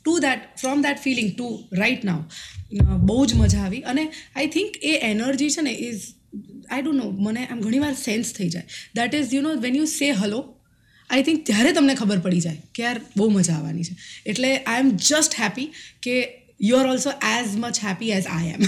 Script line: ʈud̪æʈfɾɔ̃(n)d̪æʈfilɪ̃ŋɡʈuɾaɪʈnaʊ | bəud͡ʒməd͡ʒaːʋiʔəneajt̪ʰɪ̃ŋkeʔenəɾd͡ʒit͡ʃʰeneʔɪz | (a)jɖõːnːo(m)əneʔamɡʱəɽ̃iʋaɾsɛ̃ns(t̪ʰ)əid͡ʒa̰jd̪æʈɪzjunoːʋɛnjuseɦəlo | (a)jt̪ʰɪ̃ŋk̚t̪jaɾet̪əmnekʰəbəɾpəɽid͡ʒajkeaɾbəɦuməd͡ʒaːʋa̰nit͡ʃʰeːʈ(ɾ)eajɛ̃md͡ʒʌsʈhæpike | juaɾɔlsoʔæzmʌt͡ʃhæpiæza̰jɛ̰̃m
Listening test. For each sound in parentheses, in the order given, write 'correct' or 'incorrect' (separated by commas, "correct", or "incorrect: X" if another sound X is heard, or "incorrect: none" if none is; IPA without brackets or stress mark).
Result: incorrect: m, correct, correct, correct, correct, incorrect: l